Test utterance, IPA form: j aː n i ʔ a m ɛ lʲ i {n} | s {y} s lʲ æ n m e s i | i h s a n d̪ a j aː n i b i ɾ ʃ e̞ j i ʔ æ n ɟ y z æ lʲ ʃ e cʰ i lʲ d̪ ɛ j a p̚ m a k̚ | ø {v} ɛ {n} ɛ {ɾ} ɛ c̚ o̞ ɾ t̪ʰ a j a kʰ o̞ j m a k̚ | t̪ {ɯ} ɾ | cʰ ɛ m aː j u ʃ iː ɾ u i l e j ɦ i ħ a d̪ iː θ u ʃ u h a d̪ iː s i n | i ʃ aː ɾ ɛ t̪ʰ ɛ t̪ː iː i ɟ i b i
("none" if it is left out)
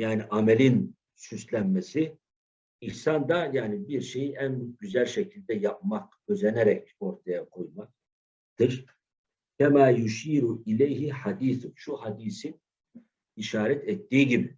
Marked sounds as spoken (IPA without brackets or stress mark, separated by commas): n, y, z, n, ɾ, ɯ